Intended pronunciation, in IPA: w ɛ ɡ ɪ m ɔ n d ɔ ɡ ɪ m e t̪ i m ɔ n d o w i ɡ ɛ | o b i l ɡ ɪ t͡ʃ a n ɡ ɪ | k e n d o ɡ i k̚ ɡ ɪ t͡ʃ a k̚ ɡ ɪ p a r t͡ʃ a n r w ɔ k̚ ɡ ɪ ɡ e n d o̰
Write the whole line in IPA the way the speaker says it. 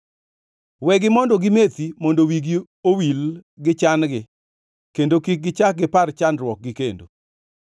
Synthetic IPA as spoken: w ɛ ɡ ɪ m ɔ n d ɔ ɡ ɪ m e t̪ i m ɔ n d o w i ɡ i | o w i l ɡ ɪ t͡ʃ a n ɡ ɪ | k e n d o k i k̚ ɡ ɪ t͡ʃ a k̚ ɡ ɪ p a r t͡ʃ a n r w ɔ k̚ ɡ ɪ k e n d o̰